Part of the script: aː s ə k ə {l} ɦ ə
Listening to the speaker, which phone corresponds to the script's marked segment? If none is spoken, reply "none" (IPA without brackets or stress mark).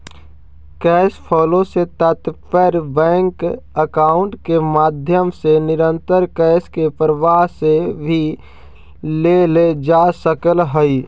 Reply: l